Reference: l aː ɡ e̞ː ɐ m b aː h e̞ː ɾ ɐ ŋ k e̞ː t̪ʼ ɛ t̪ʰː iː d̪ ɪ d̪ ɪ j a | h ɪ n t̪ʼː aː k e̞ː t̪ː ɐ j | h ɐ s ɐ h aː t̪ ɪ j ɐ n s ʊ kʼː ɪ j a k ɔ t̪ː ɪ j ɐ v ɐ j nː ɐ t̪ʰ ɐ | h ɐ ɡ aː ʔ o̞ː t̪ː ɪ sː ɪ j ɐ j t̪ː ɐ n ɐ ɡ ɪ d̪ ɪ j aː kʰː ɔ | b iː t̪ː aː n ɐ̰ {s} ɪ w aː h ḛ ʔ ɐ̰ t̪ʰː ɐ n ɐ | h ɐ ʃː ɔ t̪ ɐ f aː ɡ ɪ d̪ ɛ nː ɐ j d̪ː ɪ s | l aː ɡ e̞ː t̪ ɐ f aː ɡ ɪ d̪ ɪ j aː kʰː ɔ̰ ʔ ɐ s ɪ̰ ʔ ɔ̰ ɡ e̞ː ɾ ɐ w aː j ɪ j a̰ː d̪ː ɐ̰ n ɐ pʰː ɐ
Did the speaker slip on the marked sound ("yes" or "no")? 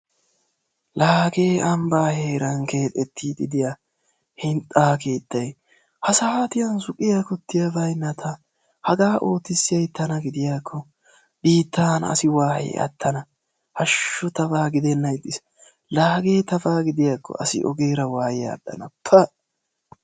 no